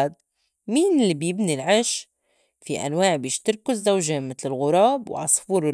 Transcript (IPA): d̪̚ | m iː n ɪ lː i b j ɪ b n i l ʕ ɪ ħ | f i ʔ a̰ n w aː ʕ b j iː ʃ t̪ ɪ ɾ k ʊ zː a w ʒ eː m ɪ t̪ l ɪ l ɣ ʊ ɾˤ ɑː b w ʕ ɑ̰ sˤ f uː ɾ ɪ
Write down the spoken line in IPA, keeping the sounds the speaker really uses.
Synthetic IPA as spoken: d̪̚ | m iː n ɪ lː i b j ɪ b n i l ʕ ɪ ʃ | f i ʔ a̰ n w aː ʕ b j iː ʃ t̪ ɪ ɾ k ʊ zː a w ʒ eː m ɪ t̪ l ɪ l ɣ ʊ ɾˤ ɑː b w ʕ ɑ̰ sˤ f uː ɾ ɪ

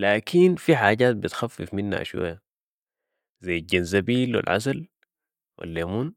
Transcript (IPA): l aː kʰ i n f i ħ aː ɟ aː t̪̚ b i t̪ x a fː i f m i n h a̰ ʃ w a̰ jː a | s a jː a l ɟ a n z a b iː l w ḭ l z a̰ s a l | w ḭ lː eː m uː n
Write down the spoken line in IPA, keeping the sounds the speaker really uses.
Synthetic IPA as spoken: l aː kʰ i n f i ħ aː ɟ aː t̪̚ b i t̪ x a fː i f m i n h a̰ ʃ w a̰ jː a | z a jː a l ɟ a n z a b iː l w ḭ l ʕ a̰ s a l | w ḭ lː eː m uː n

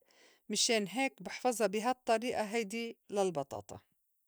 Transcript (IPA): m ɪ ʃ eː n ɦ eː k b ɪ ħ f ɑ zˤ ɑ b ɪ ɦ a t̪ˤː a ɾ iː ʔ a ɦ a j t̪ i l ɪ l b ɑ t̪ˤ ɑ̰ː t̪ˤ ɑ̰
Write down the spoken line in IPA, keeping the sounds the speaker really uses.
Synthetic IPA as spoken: m ɪ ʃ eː n ɦ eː k b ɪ ħ f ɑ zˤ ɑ b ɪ ɦ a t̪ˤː ɑ ɾ iː ʔ a ɦ a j d̪ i l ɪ l b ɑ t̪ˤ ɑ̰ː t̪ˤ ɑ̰

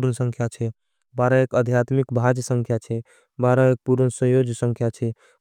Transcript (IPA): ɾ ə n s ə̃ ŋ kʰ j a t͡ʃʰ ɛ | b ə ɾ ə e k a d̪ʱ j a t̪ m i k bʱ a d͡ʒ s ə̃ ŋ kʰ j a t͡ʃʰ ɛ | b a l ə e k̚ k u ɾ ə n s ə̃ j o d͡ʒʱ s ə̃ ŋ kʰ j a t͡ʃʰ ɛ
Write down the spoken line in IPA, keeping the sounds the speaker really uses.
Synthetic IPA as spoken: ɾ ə n s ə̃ ŋ kʰ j a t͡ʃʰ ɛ | b a ɾ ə e k ə d̪ʱ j a t̪ m i k bʱ a d͡ʒ s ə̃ ŋ kʰ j a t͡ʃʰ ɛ | b a ɾ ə e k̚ p u ɾ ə n s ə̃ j o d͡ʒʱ s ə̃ ŋ kʰ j a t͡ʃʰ ɛ

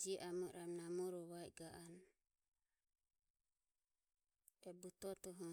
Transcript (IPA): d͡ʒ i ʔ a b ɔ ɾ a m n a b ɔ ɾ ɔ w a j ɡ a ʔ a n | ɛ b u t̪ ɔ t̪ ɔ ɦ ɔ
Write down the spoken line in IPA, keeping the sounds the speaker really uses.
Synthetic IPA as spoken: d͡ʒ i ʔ a m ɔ ɾ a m n a m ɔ ɾ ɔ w a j ɡ a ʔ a n | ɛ b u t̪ ɔ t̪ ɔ ɦ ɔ

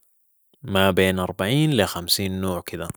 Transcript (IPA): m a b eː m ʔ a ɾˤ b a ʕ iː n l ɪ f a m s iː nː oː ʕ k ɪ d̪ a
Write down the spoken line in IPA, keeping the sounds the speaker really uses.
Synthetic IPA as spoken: m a b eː n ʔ ɑ ɾˤ b a ʕ iː n l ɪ x a m s iː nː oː ʕ k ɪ d̪ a

